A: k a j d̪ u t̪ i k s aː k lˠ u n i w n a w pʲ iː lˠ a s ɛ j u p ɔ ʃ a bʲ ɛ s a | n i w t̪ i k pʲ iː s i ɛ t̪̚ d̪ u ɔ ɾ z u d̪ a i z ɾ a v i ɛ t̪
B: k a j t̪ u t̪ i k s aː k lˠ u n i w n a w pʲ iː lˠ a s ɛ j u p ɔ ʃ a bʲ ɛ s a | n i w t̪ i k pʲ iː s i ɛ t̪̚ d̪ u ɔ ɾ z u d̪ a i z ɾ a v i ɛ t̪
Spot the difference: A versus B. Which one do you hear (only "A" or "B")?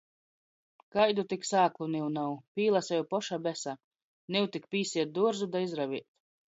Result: A